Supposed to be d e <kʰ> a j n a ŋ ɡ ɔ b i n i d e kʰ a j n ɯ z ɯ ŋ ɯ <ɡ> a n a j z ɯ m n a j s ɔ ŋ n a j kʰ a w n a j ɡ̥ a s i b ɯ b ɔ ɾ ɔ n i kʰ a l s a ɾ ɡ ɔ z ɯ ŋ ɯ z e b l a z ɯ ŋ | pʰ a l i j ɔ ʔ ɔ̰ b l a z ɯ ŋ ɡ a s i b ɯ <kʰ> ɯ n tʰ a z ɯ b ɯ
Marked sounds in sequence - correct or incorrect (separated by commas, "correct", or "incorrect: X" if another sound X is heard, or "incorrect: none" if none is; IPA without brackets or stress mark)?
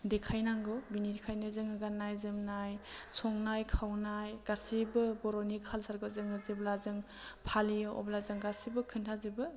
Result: correct, correct, correct